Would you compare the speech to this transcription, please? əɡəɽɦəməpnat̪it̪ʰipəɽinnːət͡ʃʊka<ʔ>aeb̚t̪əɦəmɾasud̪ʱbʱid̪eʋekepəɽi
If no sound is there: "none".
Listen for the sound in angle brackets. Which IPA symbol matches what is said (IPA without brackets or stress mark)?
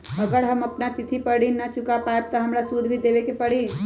p